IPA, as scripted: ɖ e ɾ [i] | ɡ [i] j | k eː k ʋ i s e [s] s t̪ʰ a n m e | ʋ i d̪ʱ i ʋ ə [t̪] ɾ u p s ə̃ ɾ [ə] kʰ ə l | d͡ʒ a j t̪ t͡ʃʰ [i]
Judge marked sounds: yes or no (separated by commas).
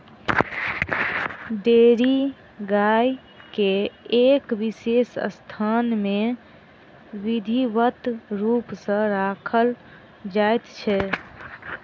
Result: yes, no, yes, yes, no, no